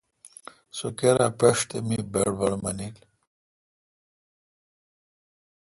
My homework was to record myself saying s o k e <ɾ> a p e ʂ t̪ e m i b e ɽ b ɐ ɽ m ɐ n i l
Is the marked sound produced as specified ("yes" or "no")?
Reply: yes